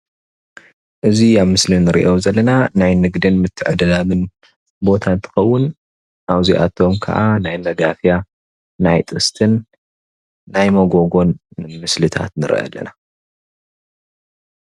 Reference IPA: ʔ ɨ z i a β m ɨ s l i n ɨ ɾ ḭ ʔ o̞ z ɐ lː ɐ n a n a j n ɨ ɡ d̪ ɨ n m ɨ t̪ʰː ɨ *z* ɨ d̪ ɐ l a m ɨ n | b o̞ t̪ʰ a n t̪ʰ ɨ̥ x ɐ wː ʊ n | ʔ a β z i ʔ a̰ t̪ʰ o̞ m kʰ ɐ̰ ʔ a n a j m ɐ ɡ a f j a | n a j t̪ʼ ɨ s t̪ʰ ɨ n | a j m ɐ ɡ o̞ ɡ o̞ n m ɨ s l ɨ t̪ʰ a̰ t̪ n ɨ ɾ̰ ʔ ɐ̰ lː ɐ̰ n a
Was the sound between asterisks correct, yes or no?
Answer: no